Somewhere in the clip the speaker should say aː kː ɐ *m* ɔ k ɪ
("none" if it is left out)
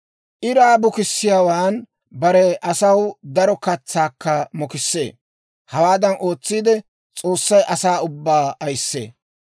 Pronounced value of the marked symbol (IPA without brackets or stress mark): m